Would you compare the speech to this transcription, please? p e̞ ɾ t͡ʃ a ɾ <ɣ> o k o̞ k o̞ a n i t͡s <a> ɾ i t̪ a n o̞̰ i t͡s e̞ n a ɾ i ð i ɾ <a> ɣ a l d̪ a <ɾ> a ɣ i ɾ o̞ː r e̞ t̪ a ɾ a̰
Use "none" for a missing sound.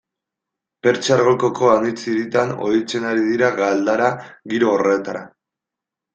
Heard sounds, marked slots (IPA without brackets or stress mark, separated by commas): ɣ, i, a, ɾ